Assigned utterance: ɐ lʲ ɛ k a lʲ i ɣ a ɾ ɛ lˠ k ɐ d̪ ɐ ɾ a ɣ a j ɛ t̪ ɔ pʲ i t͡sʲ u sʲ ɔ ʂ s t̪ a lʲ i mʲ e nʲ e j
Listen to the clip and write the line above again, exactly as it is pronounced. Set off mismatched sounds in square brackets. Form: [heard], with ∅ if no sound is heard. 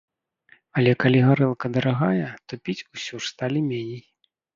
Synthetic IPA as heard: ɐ lʲ ɛ k a lʲ i ɣ a ɾ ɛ lˠ k ɐ d̪ ɐ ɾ a ɣ a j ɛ t̪ ɔ pʲ i t͡sʲ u sʲ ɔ ʂ s t̪ a lʲ i mʲ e nʲ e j